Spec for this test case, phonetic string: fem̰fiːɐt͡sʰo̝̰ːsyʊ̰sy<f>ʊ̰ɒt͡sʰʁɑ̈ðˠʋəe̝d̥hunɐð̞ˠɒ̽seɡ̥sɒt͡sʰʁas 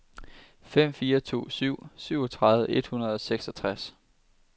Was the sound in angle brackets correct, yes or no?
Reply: no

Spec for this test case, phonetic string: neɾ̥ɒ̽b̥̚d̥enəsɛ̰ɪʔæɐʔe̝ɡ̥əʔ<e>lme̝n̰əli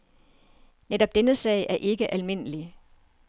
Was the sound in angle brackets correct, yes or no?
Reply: no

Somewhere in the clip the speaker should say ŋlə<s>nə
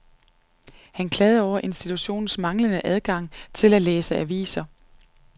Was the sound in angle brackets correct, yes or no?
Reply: no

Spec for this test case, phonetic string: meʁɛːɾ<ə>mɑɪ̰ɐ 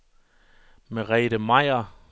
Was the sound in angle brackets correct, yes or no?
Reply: yes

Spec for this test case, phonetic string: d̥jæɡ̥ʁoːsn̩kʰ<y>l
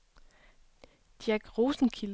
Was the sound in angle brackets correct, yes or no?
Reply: no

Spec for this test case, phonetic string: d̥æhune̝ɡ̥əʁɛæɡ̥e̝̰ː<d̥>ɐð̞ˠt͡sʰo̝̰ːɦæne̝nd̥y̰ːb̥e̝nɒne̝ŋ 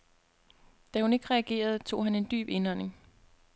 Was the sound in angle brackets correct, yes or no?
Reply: no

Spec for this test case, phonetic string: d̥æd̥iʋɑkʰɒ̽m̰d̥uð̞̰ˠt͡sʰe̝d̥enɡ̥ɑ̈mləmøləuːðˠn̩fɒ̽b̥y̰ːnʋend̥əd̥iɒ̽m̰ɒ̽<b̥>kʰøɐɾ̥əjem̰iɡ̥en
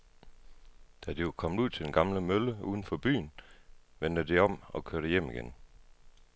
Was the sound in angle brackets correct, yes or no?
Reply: no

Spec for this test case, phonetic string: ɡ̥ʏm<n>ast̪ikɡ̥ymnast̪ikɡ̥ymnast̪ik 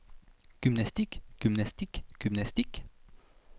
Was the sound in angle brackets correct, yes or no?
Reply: yes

